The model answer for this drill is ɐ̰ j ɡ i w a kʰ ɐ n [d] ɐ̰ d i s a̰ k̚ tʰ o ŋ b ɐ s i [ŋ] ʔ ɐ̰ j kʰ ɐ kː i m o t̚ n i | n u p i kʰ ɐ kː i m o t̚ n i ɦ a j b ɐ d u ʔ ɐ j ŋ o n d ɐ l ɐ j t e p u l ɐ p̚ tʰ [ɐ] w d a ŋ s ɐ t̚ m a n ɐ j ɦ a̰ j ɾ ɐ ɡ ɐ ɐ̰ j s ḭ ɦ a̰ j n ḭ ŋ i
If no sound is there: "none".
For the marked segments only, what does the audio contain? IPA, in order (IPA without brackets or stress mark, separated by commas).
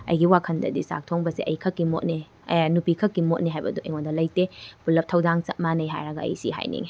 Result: d, none, ɐ